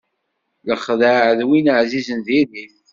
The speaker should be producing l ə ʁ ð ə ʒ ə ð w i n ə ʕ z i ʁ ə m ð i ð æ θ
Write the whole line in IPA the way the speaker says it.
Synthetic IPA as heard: l ə χ ð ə ʕ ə ð w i n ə ʕ z i z ə n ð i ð i θ